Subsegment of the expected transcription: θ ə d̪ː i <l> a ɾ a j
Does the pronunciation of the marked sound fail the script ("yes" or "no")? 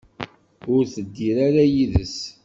yes